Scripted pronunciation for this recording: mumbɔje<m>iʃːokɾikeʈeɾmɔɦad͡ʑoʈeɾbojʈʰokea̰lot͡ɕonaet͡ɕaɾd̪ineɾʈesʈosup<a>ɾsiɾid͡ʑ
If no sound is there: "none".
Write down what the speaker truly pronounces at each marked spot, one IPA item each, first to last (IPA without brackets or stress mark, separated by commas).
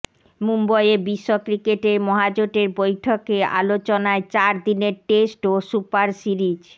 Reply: b, a